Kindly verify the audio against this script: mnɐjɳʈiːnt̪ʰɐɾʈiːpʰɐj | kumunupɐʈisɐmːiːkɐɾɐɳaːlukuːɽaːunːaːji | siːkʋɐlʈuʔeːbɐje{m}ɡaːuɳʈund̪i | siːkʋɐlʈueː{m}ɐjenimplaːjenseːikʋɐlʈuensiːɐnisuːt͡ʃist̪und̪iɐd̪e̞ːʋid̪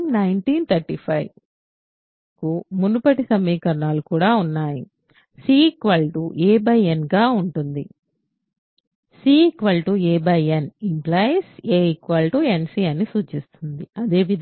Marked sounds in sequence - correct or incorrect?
incorrect: n, incorrect: b

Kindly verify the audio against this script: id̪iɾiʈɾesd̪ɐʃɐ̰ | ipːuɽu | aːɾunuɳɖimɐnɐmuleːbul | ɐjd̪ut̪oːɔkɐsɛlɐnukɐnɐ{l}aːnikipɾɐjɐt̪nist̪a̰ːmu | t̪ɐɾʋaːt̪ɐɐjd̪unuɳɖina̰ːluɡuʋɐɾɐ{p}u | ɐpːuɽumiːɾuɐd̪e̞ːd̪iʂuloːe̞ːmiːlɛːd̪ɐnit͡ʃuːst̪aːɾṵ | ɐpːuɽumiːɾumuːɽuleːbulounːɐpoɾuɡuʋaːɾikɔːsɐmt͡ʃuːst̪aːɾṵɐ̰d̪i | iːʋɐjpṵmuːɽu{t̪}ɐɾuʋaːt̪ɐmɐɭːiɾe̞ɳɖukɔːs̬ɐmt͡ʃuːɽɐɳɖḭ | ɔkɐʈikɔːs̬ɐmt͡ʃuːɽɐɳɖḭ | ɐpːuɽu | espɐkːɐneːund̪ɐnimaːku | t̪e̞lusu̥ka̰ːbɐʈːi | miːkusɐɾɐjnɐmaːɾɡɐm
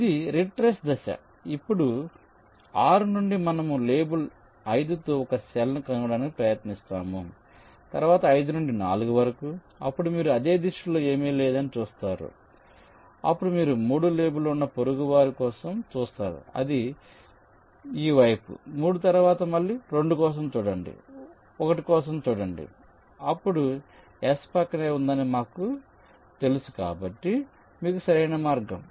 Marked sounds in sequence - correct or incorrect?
incorrect: ɽ, incorrect: k, correct

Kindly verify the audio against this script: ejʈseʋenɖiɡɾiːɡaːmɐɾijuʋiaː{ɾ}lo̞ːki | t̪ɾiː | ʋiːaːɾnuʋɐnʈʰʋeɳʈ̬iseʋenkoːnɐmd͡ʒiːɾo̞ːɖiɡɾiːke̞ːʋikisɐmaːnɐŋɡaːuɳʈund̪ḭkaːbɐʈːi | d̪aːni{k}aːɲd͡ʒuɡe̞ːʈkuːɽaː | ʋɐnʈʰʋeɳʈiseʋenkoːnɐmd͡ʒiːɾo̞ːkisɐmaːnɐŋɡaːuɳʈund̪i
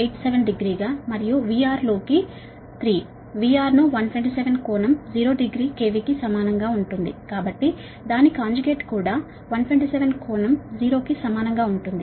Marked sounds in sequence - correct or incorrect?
correct, correct

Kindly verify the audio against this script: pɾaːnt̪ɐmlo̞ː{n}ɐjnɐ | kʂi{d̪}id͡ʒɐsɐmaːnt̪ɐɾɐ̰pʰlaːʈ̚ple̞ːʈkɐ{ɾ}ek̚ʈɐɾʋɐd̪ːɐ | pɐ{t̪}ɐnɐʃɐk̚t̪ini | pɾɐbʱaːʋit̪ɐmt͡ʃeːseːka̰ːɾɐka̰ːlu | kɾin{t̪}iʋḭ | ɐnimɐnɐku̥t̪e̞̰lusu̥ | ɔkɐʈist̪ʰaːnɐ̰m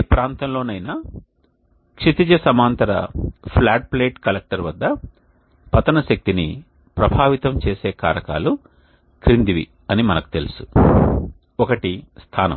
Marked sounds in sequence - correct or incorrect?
correct, incorrect: t̪, incorrect: l, correct, incorrect: d̪

